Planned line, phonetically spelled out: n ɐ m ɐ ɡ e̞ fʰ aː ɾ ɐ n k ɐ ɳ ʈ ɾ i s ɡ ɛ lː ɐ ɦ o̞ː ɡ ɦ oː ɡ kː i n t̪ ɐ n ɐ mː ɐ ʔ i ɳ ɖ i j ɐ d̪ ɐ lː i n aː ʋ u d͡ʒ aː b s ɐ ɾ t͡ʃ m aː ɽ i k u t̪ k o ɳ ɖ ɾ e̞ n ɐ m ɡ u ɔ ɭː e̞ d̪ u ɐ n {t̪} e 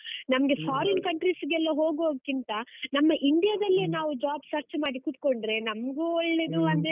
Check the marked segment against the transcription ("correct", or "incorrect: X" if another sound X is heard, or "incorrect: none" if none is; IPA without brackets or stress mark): incorrect: d̪